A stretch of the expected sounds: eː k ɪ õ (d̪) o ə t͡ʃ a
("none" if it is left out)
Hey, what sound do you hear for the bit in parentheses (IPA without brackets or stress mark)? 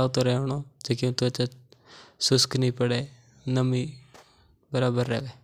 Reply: t̪